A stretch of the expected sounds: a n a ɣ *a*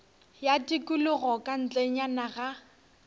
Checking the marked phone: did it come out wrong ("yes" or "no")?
no